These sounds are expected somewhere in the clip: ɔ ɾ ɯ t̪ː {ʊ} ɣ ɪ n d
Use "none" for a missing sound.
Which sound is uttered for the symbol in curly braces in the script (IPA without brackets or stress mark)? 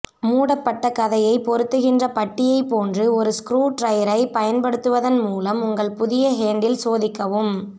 ɯ